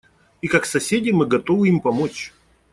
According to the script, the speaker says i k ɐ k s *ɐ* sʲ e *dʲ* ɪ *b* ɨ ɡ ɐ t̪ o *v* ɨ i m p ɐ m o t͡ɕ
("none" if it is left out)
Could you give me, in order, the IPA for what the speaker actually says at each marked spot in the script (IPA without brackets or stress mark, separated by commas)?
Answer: ɐ, dʲ, m, v